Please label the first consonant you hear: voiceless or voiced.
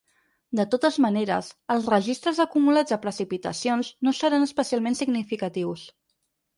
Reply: voiced